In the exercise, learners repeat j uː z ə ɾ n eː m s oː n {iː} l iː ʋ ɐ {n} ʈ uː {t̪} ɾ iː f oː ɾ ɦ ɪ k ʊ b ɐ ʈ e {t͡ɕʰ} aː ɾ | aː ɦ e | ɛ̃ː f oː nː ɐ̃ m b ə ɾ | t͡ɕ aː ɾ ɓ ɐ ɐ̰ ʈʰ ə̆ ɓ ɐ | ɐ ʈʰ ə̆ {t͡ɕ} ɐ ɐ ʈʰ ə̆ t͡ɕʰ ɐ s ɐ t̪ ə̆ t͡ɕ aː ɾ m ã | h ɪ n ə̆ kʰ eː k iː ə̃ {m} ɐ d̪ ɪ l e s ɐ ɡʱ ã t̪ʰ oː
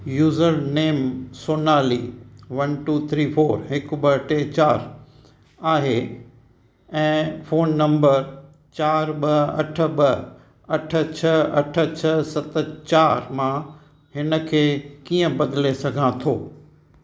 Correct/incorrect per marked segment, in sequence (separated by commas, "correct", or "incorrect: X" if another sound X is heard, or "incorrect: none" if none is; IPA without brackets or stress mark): incorrect: aː, correct, incorrect: t̪ʰ, incorrect: t͡ɕ, incorrect: t͡ɕʰ, incorrect: b